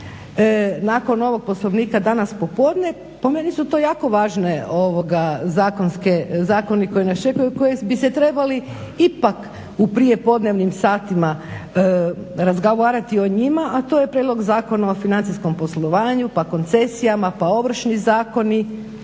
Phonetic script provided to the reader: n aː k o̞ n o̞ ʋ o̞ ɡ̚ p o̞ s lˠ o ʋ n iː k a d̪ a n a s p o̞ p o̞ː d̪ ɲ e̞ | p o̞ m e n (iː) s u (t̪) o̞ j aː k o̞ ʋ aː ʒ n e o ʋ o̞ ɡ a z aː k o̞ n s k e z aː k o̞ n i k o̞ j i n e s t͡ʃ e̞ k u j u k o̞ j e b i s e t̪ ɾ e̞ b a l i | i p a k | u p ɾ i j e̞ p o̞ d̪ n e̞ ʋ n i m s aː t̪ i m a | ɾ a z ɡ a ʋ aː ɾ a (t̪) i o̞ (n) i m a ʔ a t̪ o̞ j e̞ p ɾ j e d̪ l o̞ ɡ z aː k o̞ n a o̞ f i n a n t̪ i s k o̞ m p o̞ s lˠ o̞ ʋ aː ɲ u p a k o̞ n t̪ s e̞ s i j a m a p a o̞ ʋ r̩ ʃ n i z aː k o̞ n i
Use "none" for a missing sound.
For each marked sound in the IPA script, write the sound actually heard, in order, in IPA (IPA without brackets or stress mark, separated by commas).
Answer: i, t̪, t̪, ɲ